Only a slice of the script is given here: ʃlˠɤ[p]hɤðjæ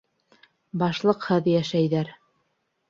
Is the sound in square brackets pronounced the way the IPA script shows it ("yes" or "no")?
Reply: no